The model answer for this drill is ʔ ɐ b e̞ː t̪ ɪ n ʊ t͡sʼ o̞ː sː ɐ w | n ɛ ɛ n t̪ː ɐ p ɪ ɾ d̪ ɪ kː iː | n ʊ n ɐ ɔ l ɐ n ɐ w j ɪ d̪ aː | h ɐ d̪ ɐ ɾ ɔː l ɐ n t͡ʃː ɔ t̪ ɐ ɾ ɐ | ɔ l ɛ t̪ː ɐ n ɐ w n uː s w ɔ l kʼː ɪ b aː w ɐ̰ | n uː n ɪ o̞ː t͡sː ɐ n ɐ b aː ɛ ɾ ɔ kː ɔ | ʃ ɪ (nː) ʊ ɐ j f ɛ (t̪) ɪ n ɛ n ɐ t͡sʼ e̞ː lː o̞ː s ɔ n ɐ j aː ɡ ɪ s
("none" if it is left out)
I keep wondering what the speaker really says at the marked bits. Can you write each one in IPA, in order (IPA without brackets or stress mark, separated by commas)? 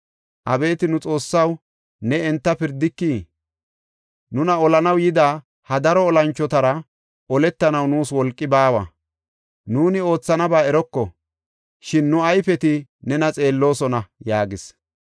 nː, t̪